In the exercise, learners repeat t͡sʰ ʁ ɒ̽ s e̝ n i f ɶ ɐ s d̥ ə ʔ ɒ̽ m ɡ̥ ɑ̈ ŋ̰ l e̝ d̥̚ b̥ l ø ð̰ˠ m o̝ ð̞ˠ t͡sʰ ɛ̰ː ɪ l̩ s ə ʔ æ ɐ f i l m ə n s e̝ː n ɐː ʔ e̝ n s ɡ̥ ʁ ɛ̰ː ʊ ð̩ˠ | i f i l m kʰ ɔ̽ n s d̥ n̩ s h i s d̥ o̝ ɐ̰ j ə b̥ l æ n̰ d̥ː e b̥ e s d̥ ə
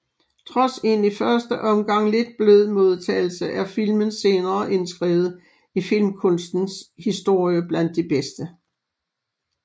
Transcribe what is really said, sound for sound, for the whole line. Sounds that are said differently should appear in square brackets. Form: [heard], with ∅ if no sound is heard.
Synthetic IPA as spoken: t͡sʰ ʁ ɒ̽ s e̝ n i f ɶ ɐ s d̥ ə ʔ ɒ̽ m ɡ̥ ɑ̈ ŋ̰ l e̝ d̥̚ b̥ l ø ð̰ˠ m o̝ ð̞ˠ t͡sʰ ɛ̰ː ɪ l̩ s ə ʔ æ ɐ f i l m ə n s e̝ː n ɐː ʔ e̝ n s ɡ̥ ʁ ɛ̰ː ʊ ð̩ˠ | i f i l m kʰ ɔ̽ n s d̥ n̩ s h i s d̥ o̝ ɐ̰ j ə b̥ l æ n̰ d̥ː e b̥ e s d̥ ə

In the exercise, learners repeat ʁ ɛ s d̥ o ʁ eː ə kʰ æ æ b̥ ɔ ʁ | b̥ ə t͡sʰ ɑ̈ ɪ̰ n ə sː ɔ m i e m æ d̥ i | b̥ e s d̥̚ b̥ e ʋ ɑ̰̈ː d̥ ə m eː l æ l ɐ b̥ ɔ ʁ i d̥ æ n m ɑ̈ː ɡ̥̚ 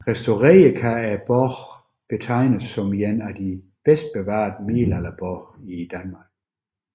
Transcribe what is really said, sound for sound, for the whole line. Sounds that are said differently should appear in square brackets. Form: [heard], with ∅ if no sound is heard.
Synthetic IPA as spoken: ʁ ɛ s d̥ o ʁ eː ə kʰ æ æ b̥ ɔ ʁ | b̥ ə t͡sʰ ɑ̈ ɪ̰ n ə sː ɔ m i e [n] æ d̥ i | b̥ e s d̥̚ b̥ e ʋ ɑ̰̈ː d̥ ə m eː l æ l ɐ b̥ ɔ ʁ i d̥ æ n m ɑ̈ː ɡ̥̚

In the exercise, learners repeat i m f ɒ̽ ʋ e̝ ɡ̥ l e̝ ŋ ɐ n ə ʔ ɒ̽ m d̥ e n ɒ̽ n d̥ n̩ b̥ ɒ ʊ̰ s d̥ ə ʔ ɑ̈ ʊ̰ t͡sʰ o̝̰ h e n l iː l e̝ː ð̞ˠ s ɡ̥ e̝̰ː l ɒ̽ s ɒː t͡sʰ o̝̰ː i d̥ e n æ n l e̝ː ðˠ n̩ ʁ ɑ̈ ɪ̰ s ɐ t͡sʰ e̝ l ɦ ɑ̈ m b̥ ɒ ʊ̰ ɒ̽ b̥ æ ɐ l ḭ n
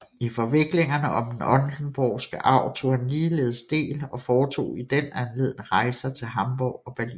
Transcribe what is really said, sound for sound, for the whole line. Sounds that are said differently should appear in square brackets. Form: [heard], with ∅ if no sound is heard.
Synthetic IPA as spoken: i [∅] f ɒ̽ ʋ e̝ ɡ̥ l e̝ ŋ ɐ n ə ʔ ɒ̽ m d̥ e n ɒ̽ n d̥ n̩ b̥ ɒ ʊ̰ s [ɡ̥] ə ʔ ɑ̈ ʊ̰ t͡sʰ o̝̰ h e n l iː l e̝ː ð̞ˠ s [d̥] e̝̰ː l ɒ̽ [f] ɒː t͡sʰ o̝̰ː i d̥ e n æ n l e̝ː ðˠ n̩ ʁ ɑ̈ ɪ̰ s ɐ t͡sʰ e̝ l ɦ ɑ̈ m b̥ ɒ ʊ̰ ɒ̽ b̥ æ ɐ l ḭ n

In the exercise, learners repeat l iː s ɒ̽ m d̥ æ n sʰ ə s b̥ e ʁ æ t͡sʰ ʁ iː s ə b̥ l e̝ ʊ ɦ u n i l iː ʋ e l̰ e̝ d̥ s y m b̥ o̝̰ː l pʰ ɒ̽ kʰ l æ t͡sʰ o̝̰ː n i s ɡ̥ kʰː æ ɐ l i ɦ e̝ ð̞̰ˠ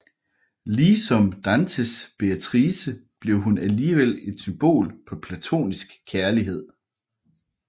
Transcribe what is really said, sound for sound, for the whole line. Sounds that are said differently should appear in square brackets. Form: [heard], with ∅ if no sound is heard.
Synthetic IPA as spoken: l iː s ɒ̽ m d̥ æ n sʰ ə s b̥ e [∅] æ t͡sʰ ʁ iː s ə b̥ l e̝ ʊ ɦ u n [æ] l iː ʋ e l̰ e̝ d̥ s y m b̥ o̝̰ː l pʰ ɒ̽ [pʰ] l æ t͡sʰ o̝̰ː n i s ɡ̥ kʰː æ ɐ l i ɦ e̝ ð̞̰ˠ

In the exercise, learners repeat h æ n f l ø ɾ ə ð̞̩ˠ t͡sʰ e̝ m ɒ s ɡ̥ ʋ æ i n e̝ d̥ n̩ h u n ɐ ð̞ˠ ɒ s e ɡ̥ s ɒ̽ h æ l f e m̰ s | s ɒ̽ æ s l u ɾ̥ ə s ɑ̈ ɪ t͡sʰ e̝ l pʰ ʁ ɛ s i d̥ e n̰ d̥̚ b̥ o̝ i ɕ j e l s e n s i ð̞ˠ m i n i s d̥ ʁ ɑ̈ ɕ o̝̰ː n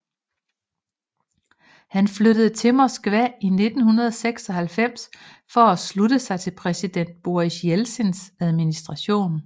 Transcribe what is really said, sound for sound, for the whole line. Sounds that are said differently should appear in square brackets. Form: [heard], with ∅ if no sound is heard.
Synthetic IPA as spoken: h æ n f l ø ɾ ə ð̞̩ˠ t͡sʰ e̝ m ɒ s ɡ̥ ʋ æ i n e̝ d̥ n̩ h u n ɐ ð̞ˠ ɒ s e ɡ̥ s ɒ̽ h æ l f e m̰ s | [f] ɒ̽ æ s l u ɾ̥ ə s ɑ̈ ɪ t͡sʰ e̝ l pʰ ʁ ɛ s i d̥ e n̰ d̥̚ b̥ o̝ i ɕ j e l s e n s [æ] ð̞ˠ m i n i s d̥ ʁ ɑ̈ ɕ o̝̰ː n

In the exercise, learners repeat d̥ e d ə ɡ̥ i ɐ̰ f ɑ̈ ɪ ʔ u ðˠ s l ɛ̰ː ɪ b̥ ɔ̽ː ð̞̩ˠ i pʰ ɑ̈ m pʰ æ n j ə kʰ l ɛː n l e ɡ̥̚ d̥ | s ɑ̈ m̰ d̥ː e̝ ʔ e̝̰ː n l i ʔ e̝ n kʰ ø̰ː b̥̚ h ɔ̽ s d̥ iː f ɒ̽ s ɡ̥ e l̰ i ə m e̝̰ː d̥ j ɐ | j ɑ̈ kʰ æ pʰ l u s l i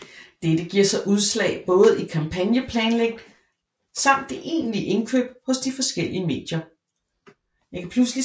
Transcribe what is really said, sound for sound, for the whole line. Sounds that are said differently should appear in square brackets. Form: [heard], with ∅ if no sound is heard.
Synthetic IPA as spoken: d̥ e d ə ɡ̥ i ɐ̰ [s] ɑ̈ ɪ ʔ u ðˠ s l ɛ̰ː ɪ b̥ ɔ̽ː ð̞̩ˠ i [kʰ] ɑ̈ m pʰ æ n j ə [pʰ] l ɛː n l e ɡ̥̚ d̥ | s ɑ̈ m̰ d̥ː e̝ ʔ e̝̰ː n l i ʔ e̝ n kʰ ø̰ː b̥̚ h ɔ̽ s d̥ [i] f ɒ̽ s ɡ̥ e l̰ i ə m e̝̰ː d̥ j ɐ | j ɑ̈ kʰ æ pʰ l u s l i

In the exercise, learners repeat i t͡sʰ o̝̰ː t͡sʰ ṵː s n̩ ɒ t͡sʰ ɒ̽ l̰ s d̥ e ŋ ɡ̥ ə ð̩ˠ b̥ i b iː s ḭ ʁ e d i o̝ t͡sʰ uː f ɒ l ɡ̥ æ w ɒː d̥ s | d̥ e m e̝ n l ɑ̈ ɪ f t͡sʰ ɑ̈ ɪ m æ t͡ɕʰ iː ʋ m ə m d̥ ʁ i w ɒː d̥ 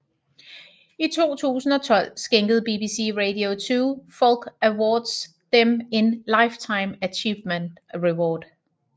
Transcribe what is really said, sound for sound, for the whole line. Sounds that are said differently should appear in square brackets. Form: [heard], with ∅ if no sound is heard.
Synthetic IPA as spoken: i t͡sʰ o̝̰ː t͡sʰ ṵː s n̩ ɒ t͡sʰ ɒ̽ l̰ s [ɡ̥] e ŋ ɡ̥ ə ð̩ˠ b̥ i b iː s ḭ ʁ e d i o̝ t͡sʰ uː f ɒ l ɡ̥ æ w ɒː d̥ s | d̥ e m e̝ n l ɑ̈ ɪ f t͡sʰ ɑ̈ ɪ m æ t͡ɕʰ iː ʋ m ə [n] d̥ ʁ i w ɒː d̥

